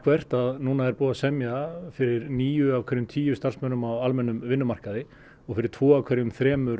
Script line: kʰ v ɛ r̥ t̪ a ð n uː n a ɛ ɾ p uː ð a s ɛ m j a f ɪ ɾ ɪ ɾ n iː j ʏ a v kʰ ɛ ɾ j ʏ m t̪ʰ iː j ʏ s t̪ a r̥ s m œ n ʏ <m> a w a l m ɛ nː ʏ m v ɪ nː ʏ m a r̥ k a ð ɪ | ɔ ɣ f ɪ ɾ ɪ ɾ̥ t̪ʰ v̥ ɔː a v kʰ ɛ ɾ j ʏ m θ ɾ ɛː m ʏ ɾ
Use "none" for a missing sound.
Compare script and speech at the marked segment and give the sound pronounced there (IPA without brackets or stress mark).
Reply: m